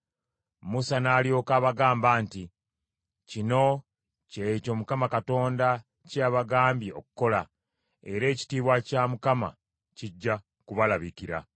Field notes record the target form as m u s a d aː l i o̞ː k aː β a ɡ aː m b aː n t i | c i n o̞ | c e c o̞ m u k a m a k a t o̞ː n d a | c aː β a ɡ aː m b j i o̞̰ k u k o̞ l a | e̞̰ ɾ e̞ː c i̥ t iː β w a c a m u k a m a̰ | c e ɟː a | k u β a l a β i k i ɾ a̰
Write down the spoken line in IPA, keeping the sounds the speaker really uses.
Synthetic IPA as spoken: m u s a n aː l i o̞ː k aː β a ɡ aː m b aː n t i | c i n o̞ | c e c o̞ m u k a m a k a t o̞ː n d a | c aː β a ɡ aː m b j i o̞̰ k u k o̞ l a | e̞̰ ɾ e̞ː c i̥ t iː β w a c a m u k a m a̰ | c i ɟː a | k u β a l a β i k i ɾ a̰

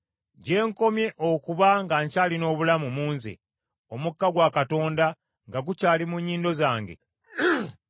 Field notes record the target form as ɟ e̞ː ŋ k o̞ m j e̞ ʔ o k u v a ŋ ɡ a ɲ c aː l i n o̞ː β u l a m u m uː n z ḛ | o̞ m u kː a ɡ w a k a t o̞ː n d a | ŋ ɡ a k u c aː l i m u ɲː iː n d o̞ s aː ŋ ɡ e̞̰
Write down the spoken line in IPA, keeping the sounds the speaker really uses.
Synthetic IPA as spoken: ɟ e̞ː ŋ k o̞ m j e̞ ʔ o k u β a ŋ ɡ a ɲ c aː l i n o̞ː β u l a m u m uː n z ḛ | o̞ m u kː a ɡ w a k a t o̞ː n d a | ŋ ɡ a ɡ u c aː l i m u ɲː iː n d o̞ z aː ŋ ɡ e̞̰

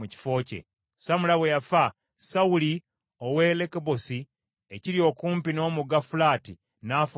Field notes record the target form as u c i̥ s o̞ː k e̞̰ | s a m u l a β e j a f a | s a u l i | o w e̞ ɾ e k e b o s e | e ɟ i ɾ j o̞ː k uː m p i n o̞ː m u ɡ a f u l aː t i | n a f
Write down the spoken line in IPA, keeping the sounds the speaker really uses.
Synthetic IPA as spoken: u c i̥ f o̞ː c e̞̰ | s a m u l a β e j a f a | s a u l i | o w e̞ l e k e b o s i | e c i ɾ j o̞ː k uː m p i n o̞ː m u ɡ a f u l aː t i | n a f

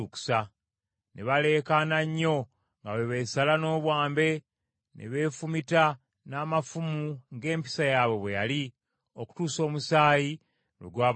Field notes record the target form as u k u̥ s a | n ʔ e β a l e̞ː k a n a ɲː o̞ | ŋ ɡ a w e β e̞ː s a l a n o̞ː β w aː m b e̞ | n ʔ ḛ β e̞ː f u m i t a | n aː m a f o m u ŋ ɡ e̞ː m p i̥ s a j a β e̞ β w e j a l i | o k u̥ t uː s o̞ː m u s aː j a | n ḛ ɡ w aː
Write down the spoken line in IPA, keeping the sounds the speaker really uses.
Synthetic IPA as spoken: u k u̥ s a | n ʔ e β a l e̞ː k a n a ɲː o̞ | ŋ ɡ a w e β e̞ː s a l a n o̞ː β w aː m b e̞ | n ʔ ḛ β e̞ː f u m i t a | n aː m a f u m u ŋ ɡ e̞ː m p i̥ s a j a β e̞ β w e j a l i | o k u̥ t uː s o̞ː m u s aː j i | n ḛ ɡ w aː

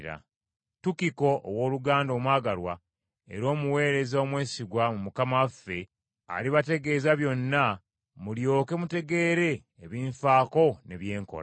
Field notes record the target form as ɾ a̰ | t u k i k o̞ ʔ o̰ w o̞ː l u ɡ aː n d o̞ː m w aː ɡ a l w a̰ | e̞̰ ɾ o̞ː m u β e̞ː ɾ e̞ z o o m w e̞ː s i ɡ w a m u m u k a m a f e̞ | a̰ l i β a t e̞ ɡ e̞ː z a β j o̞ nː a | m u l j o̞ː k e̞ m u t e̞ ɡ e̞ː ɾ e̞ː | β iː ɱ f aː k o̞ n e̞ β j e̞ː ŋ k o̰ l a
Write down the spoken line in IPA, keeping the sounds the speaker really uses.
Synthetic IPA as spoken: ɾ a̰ | t u k i k o̞ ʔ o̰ w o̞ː l u ɡ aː n d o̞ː m w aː ɡ a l w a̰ | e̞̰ ɾ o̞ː m u w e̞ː ɾ e̞ z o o m w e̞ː s i ɡ w a m u m u k a m a f e̞ | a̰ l i β a t e̞ ɡ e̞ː z a β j o̞ nː a | m u l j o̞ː k e̞ m u t e̞ ɡ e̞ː ɾ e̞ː | β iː ɱ f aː k o̞ n e̞ β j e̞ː ŋ k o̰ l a

